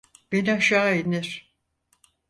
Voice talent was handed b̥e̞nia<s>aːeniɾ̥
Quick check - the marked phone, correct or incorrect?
incorrect